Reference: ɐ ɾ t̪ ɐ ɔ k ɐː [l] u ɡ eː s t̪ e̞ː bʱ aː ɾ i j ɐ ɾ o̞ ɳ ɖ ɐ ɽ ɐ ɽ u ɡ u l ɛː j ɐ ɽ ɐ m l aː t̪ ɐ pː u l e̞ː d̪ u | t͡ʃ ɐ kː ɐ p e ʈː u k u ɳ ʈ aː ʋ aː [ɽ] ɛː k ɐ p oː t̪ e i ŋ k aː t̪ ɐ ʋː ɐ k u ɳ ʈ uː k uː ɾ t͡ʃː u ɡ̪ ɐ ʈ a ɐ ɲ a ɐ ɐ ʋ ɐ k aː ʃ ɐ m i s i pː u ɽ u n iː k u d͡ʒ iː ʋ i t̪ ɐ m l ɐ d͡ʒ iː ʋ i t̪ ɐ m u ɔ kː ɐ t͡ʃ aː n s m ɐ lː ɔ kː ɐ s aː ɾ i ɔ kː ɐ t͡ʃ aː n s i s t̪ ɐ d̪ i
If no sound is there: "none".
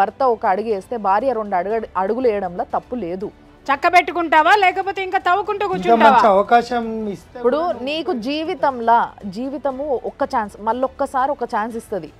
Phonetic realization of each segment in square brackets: ɽ, l

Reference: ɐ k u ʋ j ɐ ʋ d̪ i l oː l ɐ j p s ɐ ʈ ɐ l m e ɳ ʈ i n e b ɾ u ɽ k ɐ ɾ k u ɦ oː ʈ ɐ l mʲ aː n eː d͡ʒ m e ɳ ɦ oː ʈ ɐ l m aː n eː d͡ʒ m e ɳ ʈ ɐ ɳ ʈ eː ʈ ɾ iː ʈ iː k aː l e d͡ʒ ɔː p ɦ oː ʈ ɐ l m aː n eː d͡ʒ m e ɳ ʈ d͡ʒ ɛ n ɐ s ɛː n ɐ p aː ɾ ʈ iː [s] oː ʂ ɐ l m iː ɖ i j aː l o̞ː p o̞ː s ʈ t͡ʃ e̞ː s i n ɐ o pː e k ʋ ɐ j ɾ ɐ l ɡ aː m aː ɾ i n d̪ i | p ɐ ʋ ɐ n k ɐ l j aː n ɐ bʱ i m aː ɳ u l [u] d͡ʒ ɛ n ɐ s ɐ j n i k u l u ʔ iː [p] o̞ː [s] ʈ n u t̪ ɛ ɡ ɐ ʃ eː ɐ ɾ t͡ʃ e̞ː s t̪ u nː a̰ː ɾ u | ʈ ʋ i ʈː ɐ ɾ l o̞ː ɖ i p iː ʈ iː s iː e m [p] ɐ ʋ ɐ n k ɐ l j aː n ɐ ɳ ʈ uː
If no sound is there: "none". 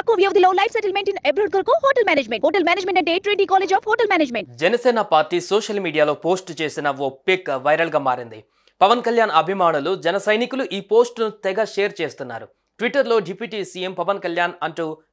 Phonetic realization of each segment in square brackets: s, u, p, s, p

